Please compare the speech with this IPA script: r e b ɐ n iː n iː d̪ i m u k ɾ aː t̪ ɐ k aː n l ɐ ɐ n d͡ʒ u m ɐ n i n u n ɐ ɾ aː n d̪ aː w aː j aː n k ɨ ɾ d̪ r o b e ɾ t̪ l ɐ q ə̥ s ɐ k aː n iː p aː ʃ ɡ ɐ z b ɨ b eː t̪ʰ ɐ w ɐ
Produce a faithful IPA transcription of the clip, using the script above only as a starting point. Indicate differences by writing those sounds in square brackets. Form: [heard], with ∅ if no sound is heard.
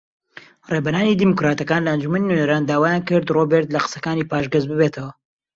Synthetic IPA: r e b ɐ n [aː] n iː d̪ i m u k ɾ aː t̪ ɐ k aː n l ɐ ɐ n d͡ʒ u m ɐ n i n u n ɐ ɾ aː n d̪ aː w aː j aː n k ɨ ɾ d̪ r o b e ɾ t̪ l ɐ q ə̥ s ɐ k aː n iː p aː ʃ ɡ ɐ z b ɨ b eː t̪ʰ ɐ w ɐ